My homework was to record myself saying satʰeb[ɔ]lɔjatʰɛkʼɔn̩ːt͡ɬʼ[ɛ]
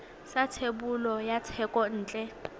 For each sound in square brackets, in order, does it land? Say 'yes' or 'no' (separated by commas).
no, yes